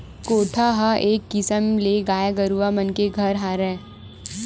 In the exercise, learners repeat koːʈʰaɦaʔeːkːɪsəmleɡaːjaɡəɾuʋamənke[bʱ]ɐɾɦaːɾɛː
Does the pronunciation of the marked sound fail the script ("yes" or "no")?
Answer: yes